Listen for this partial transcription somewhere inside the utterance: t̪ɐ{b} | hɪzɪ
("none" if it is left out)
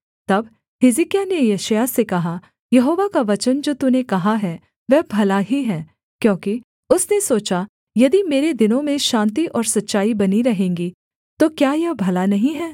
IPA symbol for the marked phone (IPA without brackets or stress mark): b